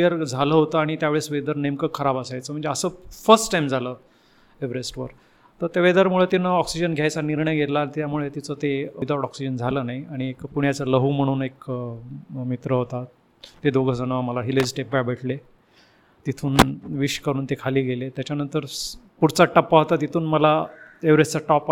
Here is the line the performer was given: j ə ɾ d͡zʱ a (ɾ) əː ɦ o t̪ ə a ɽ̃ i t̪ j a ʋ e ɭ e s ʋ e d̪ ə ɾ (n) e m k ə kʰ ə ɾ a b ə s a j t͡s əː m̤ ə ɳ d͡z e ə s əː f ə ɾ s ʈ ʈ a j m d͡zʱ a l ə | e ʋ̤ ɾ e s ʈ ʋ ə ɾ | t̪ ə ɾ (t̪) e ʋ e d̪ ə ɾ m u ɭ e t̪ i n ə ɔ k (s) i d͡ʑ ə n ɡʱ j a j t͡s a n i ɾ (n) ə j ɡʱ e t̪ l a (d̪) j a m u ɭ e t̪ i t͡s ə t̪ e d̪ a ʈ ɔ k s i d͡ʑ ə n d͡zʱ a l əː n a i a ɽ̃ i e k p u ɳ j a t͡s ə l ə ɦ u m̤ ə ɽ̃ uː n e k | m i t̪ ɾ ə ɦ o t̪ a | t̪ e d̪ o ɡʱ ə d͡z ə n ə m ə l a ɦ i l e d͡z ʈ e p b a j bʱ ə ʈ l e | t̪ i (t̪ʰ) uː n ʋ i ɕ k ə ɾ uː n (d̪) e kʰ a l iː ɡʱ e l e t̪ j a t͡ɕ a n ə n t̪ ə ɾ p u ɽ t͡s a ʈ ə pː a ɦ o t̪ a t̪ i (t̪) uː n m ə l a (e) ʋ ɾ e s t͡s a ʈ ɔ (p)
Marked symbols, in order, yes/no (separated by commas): no, yes, yes, yes, no, no, yes, no, no, yes, yes